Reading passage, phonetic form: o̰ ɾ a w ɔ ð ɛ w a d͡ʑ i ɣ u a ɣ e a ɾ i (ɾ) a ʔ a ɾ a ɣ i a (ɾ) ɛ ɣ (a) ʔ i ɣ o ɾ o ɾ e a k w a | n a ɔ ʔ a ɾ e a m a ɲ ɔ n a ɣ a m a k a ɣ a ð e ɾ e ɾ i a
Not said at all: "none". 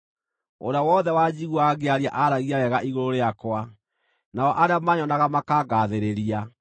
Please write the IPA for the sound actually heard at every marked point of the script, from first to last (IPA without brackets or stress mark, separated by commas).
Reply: none, ɾ, a